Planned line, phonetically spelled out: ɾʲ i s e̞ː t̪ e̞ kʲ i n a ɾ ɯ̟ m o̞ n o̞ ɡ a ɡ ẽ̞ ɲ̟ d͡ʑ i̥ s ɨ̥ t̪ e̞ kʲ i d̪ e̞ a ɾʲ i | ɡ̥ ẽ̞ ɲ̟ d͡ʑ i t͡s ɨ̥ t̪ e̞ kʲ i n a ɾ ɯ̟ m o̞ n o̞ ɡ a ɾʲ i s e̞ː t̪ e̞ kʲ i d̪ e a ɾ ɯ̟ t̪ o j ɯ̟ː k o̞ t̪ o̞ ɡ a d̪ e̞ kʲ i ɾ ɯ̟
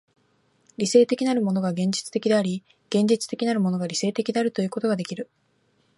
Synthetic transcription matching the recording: ɾʲ i s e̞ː t̪ e̞ kʲ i n a ɾ ɯ̟ m o̞ n o̞ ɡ a ɡ ẽ̞ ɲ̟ d͡ʑ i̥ t͡s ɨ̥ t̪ e̞ kʲ i d̪ e̞ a ɾʲ i | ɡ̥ ẽ̞ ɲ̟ d͡ʑ i t͡s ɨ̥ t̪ e̞ kʲ i n a ɾ ɯ̟ m o̞ n o̞ ɡ a ɾʲ i s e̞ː t̪ e̞ kʲ i d̪ e a ɾ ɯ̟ t̪ o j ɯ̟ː k o̞ t̪ o̞ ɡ a d̪ e̞ kʲ i ɾ ɯ̟